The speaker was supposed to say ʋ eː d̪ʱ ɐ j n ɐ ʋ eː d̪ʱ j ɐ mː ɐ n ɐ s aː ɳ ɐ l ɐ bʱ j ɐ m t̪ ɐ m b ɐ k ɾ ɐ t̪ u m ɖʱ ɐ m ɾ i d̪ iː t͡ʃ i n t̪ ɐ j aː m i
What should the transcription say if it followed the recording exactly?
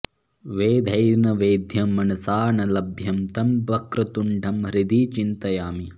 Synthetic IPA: ʋ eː d̪ʱ ɐ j n ɐ ʋ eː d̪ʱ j ɐ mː ɐ n ɐ s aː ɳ ɐ l ɐ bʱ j ɐ m t̪ ɐ m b ɐ k ɾ ɐ t̪ u ɳ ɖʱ ɐ m ɾ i d̪ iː t͡ʃ i n t̪ ɐ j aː m i